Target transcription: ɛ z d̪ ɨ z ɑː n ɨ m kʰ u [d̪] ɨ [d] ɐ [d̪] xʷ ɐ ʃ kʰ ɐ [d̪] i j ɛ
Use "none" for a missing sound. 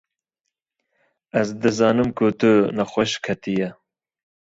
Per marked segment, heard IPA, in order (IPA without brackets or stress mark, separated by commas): t̪, n, none, t̪